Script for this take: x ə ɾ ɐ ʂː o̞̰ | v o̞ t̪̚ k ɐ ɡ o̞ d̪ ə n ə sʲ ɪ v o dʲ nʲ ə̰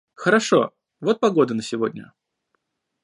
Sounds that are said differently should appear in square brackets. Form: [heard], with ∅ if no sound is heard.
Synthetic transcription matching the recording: x ə ɾ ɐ [ʂ] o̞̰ | v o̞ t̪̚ [p] ɐ ɡ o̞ d̪ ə n ə sʲ ɪ v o dʲ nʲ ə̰